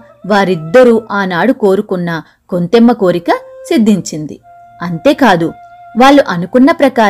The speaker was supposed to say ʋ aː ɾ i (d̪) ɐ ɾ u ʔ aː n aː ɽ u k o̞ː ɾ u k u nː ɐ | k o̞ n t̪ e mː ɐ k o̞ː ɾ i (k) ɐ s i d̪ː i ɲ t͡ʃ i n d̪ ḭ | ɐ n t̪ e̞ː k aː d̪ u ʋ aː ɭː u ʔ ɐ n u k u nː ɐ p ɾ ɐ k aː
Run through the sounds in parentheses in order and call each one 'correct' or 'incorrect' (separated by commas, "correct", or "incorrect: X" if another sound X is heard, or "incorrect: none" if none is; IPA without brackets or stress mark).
incorrect: d̪ː, correct